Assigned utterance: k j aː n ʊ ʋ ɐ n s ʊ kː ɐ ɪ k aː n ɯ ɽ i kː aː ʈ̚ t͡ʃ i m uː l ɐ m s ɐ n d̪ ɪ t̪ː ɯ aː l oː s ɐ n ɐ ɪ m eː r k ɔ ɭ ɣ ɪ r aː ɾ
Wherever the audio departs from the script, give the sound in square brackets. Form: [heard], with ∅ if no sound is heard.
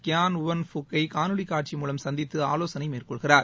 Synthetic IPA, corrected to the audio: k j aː n ʊ ʋ ɐ n [f] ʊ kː ɐ ɪ k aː n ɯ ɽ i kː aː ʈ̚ t͡ʃ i m uː l ɐ m s ɐ n d̪ ɪ t̪ː ɯ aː l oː s ɐ n ɐ ɪ m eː r k ɔ ɭ ɣ ɪ r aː ɾ